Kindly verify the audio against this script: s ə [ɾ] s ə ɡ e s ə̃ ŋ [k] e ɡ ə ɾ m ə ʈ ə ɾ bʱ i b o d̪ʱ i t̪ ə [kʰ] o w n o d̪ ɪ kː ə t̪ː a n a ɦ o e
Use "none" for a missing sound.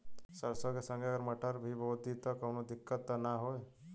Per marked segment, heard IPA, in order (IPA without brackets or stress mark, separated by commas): ɾ, ɡ, k